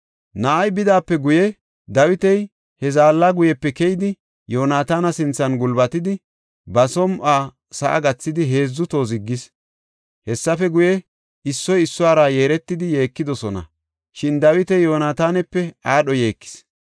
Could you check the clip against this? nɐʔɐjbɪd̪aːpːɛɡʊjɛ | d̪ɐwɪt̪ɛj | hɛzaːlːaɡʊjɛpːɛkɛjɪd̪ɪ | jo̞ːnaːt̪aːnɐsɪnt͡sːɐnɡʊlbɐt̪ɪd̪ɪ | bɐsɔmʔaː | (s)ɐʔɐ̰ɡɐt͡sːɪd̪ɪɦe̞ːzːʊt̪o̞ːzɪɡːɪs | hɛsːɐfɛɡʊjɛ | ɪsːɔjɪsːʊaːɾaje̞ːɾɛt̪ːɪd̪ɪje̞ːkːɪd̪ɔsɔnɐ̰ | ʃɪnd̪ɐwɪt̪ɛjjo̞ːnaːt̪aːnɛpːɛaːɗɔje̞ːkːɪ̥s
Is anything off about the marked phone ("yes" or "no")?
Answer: no